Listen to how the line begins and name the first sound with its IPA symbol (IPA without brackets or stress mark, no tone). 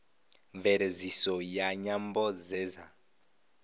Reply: ɱ